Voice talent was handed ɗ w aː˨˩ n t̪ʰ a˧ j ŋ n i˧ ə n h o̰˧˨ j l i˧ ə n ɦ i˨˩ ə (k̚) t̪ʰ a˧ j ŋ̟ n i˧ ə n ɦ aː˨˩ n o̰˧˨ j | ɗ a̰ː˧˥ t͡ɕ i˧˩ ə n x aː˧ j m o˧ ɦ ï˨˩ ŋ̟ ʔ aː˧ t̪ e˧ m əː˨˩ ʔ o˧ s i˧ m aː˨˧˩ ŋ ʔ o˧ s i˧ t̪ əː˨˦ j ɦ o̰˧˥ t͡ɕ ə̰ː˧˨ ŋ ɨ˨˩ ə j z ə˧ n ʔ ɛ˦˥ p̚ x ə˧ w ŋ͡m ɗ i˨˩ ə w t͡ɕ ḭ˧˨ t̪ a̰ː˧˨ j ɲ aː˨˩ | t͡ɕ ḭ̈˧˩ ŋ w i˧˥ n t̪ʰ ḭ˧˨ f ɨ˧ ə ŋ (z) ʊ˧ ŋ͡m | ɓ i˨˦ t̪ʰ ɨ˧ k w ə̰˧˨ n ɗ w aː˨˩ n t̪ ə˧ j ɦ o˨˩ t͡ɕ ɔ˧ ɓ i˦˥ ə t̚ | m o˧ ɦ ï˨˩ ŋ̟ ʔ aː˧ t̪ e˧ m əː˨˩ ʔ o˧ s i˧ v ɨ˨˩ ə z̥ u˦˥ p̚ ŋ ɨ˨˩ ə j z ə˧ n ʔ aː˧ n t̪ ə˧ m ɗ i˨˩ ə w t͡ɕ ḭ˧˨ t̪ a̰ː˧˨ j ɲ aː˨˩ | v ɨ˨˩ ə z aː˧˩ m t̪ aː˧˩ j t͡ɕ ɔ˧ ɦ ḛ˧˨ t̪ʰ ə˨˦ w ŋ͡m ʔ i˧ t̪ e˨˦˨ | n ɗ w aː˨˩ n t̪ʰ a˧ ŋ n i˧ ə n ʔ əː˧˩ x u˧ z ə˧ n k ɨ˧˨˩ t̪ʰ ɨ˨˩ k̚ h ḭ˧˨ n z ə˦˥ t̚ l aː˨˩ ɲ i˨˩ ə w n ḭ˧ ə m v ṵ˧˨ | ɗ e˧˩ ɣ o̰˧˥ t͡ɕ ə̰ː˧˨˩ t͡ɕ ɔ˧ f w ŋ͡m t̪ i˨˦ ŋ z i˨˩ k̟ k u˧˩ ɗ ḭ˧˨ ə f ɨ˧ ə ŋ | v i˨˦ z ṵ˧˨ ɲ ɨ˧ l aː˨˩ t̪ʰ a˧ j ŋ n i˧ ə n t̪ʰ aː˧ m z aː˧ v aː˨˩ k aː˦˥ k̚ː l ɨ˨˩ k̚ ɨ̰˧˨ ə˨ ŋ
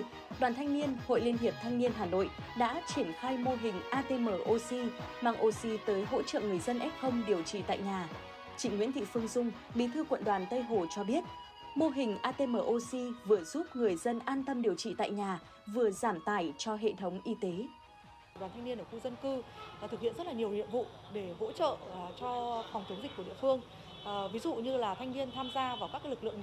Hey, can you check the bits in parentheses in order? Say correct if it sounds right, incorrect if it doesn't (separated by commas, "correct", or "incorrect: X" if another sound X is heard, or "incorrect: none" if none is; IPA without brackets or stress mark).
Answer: incorrect: p̚, correct